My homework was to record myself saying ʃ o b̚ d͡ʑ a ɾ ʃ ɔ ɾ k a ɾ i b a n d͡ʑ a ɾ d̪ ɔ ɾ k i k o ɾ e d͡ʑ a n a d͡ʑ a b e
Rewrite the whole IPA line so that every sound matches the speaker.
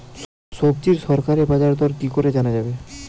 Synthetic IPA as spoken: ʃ o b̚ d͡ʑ i ɾ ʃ ɔ ɾ k a ɾ e b a d͡ʑ a ɾ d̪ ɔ ɾ k i k o ɾ e d͡ʑ a n a d͡ʑ a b e

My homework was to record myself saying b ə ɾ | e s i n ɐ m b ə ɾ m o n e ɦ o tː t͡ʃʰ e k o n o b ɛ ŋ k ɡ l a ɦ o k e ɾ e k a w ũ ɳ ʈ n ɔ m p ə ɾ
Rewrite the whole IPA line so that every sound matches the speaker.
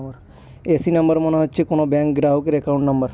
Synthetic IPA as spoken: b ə ɾ | e s i n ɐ m b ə ɾ m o n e ɦ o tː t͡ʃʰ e k o n o b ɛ ŋ k ɡ ɾ a ɦ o k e ɾ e k a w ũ ɳ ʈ n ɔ m b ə ɾ

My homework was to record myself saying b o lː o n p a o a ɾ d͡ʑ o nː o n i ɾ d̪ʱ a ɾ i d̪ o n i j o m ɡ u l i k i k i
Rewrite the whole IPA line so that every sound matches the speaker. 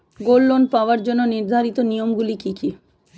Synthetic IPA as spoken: ɡ o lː o n p a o a ɾ d͡ʑ o nː o n i ɾ d̪ʱ a ɾ i t̪ o n i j o m ɡ u l i k i k i

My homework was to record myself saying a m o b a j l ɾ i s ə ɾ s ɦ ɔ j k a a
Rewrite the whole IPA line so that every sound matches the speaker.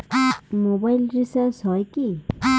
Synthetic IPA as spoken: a m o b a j l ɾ i s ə ɾ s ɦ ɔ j k i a

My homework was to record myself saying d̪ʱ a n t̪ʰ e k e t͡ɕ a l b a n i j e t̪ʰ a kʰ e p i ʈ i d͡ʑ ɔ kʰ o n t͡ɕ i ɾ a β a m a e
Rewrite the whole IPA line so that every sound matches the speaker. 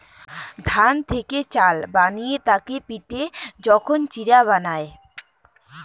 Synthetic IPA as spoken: d̪ʱ a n t̪ʰ e k e t͡ɕ a l b a n i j e t̪ a k e p i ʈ e d͡ʑ ɔ kʰ o n t͡ɕ i ɾ a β a n a e

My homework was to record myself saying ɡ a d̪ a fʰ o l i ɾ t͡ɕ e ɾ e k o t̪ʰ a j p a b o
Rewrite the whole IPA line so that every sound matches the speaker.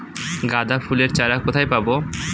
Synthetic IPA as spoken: ɡ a d̪ a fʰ u l e ɾ t͡ɕ a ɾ a k o t̪ʰ a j p a b o

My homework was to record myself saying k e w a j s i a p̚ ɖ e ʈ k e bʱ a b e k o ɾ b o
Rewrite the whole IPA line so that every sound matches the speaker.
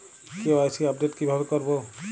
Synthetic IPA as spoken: k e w a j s i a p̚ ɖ e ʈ k i bʱ a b e k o ɾ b o

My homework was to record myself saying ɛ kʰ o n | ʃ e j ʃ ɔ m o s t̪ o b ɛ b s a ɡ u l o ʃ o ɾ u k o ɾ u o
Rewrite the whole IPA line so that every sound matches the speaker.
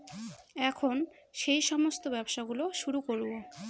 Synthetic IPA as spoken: ɛ kʰ o n | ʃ e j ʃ ɔ m o s t̪ o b ɛ b ʃ a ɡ u l o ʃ u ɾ u k o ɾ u o

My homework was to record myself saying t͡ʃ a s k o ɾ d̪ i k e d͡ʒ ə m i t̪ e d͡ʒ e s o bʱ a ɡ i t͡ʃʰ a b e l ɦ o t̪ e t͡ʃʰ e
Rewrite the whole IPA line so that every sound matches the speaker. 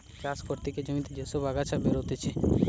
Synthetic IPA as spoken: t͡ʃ a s k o ɾ t̪ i k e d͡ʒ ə m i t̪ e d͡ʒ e s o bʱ a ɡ a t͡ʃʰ a b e ɾ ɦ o t̪ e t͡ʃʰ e

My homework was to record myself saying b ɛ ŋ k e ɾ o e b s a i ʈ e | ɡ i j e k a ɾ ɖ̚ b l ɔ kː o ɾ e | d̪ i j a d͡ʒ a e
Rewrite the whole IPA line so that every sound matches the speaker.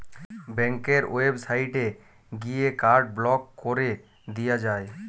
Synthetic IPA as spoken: b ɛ ŋ k e ɾ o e b s a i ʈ e | ɡ i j e k a ɾ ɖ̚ b l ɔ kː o ɾ e | d̪ i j a d͡ʒ a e

